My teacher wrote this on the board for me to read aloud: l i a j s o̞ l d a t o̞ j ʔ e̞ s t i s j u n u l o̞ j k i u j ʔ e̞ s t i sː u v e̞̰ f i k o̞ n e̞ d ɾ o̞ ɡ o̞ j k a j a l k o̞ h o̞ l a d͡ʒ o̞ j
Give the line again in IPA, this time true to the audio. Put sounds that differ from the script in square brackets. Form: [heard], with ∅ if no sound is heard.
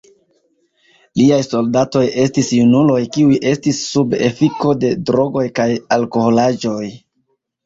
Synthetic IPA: l i a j s o̞ l d a t o̞ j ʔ e̞ s t i s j u n u l o̞ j k i u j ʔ e̞ s t i sː u [b] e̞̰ f i k o̞ [d] e̞ d ɾ o̞ ɡ o̞ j k a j a l k o̞ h o̞ l a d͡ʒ o̞ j

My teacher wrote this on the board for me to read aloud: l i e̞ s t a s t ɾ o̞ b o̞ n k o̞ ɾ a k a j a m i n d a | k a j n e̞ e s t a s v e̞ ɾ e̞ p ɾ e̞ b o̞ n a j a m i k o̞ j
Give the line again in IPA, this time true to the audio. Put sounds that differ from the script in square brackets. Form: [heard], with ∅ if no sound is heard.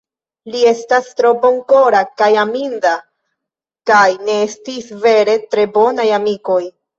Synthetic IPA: l i e̞ s t a s t ɾ o̞ b o̞ [ŋ] k o̞ ɾ a k a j a m i n d a | k a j n e̞ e s t [i] s v e̞ ɾ e̞ [t] ɾ e̞ b o̞ n a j a m i k o̞ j

